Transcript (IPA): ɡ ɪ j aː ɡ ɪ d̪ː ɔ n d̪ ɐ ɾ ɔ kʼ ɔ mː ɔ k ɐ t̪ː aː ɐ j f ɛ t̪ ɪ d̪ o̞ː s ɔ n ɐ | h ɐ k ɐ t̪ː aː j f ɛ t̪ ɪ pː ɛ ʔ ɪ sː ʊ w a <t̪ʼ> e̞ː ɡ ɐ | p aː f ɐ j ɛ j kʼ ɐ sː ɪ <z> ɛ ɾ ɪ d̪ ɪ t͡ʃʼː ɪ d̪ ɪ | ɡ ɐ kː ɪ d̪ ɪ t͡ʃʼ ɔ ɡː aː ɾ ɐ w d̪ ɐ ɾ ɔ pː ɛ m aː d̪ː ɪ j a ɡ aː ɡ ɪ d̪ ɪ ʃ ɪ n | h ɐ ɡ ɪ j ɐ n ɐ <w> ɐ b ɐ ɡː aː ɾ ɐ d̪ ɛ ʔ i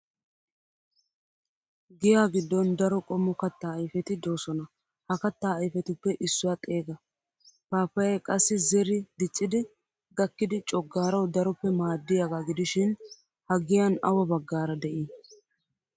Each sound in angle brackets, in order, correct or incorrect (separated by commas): correct, correct, correct